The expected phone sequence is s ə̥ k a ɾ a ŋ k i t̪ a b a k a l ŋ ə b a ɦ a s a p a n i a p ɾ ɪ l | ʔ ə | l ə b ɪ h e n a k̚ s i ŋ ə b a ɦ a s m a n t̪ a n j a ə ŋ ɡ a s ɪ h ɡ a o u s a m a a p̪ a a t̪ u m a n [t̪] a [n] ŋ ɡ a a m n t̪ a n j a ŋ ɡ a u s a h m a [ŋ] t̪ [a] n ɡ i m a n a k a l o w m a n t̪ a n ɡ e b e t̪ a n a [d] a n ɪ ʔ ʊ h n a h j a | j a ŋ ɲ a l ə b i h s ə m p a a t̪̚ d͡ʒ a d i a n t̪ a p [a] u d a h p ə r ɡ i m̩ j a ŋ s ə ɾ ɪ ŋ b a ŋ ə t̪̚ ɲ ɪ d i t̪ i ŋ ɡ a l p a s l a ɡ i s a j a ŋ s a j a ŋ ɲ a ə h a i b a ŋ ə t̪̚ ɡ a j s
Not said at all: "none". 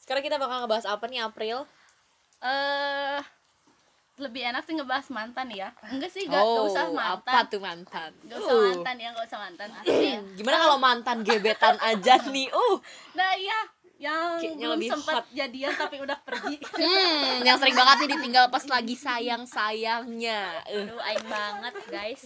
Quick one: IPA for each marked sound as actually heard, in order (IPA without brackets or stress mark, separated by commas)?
t̪, n, n, a, d͡ʒ, i